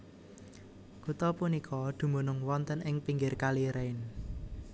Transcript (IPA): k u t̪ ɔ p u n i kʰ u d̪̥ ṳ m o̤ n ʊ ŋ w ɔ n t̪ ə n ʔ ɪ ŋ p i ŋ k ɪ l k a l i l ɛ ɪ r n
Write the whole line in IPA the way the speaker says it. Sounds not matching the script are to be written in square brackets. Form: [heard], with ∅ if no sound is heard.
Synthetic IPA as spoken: k u t̪ ɔ p u n i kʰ [ɔ] d̪̥ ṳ m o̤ n ʊ ŋ w ɔ n t̪ ə n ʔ ɪ ŋ p i ŋ [ɡ] ɪ [r] k a l i [ɾ] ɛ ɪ [∅] n